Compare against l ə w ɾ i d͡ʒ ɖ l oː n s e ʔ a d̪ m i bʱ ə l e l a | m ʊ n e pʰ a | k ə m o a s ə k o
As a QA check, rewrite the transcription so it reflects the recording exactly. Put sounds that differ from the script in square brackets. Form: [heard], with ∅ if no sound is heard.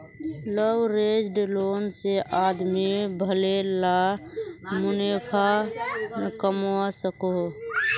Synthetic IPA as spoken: l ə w ɾ [e] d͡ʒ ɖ l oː n s e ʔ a d̪ m i bʱ ə l e l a | m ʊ n e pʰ a | k ə m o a s ə k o